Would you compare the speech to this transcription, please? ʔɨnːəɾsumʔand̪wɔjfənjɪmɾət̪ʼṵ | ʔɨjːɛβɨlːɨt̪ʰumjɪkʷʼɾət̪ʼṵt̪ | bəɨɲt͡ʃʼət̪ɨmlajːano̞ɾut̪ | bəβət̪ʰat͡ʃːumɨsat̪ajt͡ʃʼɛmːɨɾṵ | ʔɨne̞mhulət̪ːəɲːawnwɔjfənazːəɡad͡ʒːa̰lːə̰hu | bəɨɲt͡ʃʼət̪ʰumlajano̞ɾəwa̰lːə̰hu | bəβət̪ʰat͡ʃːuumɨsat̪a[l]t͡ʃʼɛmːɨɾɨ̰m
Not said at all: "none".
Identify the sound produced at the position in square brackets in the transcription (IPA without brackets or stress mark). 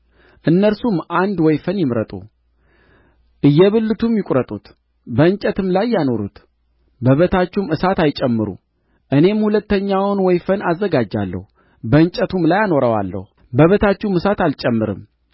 l